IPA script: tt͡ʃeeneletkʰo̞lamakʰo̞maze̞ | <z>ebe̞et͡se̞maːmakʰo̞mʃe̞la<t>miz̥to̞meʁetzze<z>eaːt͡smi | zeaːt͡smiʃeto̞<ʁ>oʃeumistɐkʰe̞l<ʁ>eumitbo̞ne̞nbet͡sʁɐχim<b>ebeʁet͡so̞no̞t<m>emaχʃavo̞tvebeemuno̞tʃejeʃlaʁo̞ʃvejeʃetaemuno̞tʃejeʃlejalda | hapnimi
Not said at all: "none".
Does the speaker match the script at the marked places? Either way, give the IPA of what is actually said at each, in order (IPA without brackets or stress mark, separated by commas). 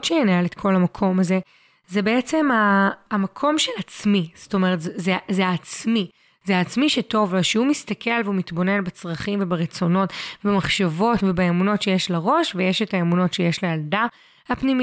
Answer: z, t͡s, z, v, v, v, b